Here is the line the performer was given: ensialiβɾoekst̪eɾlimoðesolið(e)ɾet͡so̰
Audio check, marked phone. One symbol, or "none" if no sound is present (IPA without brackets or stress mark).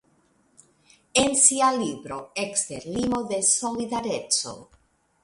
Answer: a